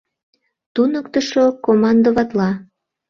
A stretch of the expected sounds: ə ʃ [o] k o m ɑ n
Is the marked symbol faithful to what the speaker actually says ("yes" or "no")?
yes